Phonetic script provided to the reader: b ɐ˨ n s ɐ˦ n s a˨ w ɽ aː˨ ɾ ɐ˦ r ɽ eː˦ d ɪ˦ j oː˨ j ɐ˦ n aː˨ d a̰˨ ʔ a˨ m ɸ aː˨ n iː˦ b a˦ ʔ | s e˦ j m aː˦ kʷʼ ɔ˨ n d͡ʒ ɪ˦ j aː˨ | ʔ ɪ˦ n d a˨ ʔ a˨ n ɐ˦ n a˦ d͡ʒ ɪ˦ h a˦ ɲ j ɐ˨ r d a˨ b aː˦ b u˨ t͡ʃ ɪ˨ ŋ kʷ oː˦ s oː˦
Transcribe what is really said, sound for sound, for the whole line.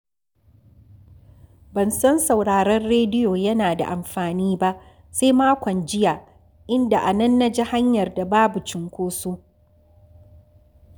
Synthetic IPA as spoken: b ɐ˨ n s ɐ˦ n s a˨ w ɽ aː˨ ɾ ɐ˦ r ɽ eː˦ d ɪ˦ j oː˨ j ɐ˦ n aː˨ d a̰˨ ʔ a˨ m ɸ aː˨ n iː˦ b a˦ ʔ | s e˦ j m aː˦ kʷ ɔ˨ n d͡ʒ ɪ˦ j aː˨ | ʔ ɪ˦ n d a˨ ʔ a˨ n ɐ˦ nː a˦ d͡ʒ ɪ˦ h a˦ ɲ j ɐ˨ r d a˨ b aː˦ b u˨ t͡ʃ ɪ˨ ŋ kʷ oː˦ s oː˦

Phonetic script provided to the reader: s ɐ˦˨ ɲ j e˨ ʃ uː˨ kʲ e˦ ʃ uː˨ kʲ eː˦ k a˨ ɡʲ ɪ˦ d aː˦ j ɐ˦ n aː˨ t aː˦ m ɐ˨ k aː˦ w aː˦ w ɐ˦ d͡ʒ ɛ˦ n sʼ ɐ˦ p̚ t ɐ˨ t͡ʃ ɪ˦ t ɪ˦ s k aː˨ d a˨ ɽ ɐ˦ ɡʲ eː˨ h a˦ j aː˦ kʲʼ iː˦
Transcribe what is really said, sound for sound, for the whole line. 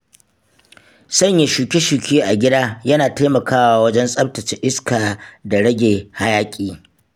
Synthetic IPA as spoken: s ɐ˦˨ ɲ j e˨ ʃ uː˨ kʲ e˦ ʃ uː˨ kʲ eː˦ ʔ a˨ ɡʲ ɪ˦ d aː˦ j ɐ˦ n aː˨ t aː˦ m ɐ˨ k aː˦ w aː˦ w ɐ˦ d͡ʒ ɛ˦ n sʼ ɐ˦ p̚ t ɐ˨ t͡ʃ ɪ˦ ʔ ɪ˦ s k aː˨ d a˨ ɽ ɐ˦ ɡʲ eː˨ h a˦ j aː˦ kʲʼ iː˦

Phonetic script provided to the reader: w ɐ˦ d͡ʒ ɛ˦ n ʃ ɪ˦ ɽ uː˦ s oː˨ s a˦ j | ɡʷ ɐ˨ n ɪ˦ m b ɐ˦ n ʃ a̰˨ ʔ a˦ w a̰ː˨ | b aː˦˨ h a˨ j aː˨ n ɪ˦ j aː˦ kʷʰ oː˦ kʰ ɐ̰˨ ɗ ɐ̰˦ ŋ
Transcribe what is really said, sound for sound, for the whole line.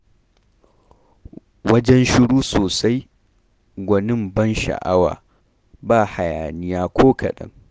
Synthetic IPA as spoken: w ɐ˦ d͡ʒ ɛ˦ n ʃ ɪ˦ ɽ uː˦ s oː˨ s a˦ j | ɡʷ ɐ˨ n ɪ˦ m b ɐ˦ n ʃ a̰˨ ʔ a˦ w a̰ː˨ | b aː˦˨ h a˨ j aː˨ n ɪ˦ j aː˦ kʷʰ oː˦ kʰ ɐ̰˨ ɗ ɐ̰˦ ŋ

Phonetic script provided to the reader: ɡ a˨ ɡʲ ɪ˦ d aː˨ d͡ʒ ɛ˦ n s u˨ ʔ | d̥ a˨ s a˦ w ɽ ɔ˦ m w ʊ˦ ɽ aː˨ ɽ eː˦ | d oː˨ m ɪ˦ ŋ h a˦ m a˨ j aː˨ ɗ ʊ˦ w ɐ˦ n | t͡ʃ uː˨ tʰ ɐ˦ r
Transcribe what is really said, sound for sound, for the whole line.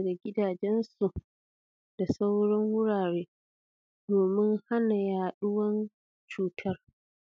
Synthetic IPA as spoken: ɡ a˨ ɡʲ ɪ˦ d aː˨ d͡ʒ ɛ˦ n s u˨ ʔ | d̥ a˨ s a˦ w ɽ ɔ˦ ŋ w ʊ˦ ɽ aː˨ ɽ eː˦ | d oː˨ m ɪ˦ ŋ h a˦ n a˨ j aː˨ ɗ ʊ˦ w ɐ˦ n | t͡ʃ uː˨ tʰ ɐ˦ r

